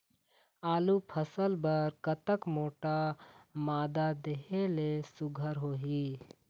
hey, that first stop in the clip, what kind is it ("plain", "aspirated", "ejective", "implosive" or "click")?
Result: aspirated